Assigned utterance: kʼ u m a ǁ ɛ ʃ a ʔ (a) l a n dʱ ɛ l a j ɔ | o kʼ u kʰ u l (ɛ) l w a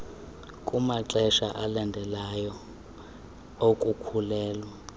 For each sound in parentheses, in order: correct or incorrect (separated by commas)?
correct, incorrect